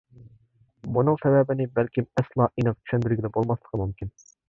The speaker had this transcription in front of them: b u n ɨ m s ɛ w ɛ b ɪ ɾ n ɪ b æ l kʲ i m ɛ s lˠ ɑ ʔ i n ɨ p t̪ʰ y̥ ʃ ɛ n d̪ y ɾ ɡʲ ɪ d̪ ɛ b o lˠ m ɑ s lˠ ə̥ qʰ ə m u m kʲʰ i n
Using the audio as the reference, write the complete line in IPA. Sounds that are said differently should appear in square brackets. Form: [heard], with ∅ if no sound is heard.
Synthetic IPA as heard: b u n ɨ [ŋ] s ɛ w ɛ b ɪ [∅] n ɪ b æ l kʲ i m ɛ s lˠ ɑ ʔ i n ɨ [q] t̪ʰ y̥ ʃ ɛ n d̪ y ɾ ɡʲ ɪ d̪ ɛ b o lˠ m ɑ s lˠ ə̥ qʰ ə m u m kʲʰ i n

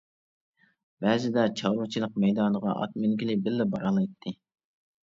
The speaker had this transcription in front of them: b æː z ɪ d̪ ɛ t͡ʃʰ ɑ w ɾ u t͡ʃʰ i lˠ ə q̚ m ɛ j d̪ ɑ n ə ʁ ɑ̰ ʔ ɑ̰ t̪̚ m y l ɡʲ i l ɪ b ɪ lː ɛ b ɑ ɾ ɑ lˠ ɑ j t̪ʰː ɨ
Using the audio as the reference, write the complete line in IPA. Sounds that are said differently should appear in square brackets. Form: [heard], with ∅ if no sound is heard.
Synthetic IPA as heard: b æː z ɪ d̪ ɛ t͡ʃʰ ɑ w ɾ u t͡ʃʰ i lˠ ə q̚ m ɛ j d̪ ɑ n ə ʁ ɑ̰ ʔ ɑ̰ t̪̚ m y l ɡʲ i l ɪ b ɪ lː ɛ b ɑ ɾ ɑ lˠ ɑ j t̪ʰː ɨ

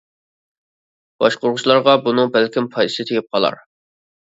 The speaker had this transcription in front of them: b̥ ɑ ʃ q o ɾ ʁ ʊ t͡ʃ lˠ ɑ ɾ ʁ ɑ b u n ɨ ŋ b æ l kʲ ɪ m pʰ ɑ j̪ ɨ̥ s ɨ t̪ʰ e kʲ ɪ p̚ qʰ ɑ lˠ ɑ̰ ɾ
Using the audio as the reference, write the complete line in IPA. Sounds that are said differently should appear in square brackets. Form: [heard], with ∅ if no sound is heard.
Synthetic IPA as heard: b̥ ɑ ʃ q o ɾ ʁ ʊ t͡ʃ lˠ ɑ ɾ ʁ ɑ b u n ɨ ŋ b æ l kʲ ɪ m pʰ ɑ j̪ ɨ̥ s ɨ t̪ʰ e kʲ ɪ p̚ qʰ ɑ lˠ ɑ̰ ɾ

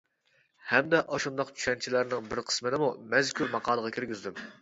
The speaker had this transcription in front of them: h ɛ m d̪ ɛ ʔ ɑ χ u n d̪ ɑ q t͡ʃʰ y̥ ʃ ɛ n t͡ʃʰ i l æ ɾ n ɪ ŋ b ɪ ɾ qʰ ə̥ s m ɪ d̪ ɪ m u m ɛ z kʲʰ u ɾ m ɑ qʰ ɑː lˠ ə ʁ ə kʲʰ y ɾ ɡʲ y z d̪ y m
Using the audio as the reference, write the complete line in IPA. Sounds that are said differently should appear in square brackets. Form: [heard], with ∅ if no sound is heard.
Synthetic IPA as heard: h ɛ m d̪ ɛ ʔ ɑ [ʃ] u n d̪ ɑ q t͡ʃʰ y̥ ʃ ɛ n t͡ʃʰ i l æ ɾ n ɪ ŋ b ɪ ɾ qʰ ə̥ s m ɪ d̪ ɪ m u m ɛ z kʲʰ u ɾ m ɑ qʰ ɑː lˠ ə ʁ [ɑ] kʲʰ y ɾ ɡʲ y z d̪ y m

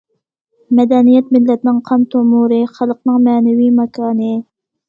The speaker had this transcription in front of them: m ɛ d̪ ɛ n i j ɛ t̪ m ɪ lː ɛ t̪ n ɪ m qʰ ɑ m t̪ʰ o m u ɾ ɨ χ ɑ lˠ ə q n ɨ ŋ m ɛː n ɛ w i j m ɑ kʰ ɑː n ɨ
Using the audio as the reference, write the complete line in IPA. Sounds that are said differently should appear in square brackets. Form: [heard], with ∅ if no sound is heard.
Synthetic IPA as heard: m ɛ d̪ ɛ n i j ɛ t̪ m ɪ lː ɛ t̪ n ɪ [ŋ] qʰ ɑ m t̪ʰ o m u ɾ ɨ χ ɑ lˠ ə q n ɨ ŋ m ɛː n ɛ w i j m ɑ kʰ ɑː n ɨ

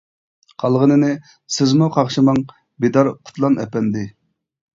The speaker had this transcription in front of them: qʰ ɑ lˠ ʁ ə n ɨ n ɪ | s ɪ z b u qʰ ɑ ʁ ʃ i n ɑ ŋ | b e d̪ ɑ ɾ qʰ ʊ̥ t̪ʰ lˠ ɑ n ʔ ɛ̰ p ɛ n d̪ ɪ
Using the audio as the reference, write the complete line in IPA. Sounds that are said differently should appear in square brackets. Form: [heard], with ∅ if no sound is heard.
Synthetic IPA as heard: qʰ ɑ lˠ ʁ ə n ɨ n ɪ | s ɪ z [m] u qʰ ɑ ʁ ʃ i [m] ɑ ŋ | b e d̪ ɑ ɾ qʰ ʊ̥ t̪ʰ lˠ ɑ n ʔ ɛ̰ p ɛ n d̪ ɪ

